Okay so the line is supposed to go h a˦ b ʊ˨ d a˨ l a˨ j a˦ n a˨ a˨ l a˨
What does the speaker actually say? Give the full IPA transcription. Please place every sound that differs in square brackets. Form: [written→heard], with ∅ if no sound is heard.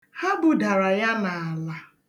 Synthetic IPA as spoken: h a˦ b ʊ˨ d a˨ [l→ɾ] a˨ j a˦ n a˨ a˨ l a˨